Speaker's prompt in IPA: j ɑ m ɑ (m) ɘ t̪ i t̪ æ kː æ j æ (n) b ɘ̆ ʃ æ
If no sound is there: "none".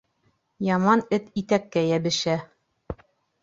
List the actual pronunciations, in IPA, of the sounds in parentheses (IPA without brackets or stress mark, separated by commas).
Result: n, none